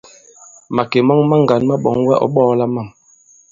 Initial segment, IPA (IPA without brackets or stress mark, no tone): m